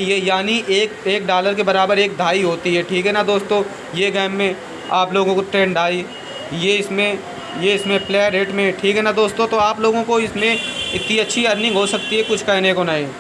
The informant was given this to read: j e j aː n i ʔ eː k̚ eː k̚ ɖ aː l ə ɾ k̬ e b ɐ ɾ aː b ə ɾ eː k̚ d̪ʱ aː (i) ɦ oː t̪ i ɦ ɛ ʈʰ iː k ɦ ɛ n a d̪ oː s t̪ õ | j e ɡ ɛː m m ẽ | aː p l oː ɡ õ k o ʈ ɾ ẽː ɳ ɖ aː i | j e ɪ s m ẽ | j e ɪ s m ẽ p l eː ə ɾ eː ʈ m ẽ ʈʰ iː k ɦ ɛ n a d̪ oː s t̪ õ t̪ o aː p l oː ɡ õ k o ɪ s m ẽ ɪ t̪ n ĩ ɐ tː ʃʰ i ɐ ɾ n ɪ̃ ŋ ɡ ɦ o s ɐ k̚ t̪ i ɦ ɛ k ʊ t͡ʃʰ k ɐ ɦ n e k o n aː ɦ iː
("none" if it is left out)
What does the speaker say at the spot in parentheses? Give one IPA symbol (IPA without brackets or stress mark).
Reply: i